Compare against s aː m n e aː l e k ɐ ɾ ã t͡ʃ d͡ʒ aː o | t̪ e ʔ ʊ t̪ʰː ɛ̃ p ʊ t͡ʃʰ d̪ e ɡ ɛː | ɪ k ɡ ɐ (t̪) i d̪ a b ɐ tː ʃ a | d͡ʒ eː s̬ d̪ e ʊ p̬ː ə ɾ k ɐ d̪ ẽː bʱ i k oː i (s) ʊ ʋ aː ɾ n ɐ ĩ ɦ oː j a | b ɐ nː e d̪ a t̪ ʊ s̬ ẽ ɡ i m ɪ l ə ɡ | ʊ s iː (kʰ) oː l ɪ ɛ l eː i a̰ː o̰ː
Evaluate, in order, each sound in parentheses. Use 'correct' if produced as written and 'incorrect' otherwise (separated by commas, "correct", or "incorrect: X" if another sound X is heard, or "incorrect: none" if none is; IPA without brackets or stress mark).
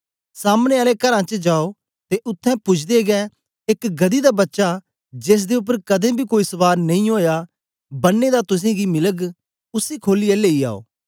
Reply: incorrect: d̪, correct, correct